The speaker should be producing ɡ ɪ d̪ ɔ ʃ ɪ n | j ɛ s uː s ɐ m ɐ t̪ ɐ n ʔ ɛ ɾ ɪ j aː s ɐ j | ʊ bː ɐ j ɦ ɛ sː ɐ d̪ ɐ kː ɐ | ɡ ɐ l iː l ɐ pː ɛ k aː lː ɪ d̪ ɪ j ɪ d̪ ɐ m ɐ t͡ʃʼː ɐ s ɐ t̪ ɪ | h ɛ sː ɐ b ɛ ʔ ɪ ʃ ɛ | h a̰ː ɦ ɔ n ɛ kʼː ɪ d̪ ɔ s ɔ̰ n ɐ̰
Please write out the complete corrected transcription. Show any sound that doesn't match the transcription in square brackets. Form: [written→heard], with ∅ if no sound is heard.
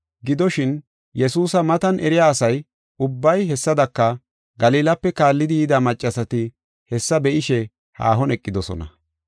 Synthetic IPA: ɡ ɪ d̪ ɔ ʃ ɪ n | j ɛ s uː s ɐ m ɐ t̪ ɐ n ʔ ɛ ɾ ɪ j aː s ɐ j | ʊ bː ɐ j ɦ ɛ sː ɐ d̪ ɐ kː ɐ | ɡ ɐ l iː l ɐ pː ɛ k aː lː ɪ d̪ ɪ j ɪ d̪ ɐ m ɐ t͡ʃʼː ɐ s ɐ t̪ ɪ | h ɛ sː ɐ b ɛ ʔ ɪ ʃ ɛ | h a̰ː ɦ ɔ n ɛ kʼː ɪ d̪ ɔ s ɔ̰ n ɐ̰